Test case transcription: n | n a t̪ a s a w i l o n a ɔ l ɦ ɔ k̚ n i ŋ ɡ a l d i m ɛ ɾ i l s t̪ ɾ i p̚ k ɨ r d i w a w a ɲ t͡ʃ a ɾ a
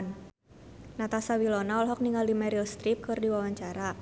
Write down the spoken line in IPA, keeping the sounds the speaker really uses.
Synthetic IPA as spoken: n | n a t̪ a s a w i l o n a ɔ l ɦ ɔ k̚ n i ŋ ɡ a l d i m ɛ ɾ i l s t̪ ɾ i p̚ k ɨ r d i w a w a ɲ t͡ʃ a ɾ a